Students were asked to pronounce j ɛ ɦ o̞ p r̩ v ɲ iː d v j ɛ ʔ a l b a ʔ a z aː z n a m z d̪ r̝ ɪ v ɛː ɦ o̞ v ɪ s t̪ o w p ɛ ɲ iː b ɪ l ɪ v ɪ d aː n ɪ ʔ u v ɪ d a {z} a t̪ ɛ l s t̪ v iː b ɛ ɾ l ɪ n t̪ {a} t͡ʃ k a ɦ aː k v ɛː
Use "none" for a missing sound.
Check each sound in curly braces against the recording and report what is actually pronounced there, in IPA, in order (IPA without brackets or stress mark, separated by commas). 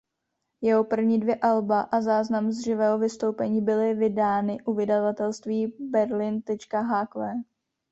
v, ɛ